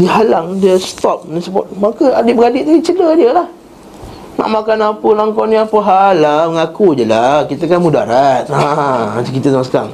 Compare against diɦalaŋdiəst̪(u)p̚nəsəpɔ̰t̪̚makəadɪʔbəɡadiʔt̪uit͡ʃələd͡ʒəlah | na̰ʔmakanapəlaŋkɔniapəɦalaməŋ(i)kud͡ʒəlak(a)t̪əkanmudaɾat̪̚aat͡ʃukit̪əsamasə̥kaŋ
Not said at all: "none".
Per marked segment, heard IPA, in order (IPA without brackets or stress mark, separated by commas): ɔ, a, i